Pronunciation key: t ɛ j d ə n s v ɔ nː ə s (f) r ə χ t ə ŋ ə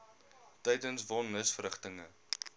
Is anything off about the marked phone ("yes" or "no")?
no